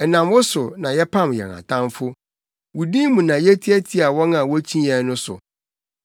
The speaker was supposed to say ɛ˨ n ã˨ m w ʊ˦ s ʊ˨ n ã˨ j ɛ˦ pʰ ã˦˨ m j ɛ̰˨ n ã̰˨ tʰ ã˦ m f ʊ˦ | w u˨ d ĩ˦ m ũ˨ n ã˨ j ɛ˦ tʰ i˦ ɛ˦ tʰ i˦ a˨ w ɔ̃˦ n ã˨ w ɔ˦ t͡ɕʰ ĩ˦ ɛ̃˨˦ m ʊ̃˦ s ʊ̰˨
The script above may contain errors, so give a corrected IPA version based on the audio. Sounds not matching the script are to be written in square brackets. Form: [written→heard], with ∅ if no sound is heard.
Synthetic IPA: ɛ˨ n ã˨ m w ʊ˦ s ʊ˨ n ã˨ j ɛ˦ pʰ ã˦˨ m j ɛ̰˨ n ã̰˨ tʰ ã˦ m f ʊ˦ | w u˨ d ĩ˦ m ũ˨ n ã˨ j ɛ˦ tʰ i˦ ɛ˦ tʰ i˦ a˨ w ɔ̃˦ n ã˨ w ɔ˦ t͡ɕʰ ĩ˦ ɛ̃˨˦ [m→n] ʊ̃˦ s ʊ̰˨